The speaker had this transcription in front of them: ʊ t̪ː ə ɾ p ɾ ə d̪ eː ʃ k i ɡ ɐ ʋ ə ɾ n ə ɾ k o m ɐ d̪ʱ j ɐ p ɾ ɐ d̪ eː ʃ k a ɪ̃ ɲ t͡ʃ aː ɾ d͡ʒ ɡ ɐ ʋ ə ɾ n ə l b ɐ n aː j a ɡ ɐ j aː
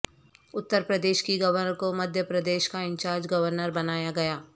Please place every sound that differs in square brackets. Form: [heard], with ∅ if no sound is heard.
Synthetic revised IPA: ʊ t̪ː ə ɾ p ɾ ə d̪ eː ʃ k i ɡ ɐ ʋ ə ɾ n ə ɾ k o m ɐ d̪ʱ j [ə] p ɾ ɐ d̪ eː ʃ k a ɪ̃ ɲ t͡ʃ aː ɾ d͡ʒ ɡ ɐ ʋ ə ɾ n ə [ɾ] b ɐ n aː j a ɡ ɐ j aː